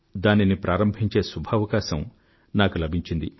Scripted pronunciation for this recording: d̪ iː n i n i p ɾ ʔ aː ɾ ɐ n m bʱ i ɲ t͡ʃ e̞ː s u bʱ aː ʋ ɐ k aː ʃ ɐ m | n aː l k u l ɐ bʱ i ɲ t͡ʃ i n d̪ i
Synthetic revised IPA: d̪ aː n i n i p ɾ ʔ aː ɾ ɐ m bʱ i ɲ t͡ʃ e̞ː s u bʱ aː ʋ ɐ k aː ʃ ɐ m | n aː k u l ɐ bʱ i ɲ t͡ʃ i n d̪ i